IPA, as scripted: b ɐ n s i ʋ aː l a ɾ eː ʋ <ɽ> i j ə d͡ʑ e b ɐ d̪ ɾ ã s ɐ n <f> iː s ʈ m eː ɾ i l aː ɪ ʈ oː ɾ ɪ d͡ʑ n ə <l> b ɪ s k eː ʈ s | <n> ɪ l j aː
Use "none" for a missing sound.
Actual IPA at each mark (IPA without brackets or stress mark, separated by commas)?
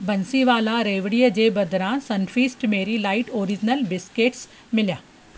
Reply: ɽ, f, l, m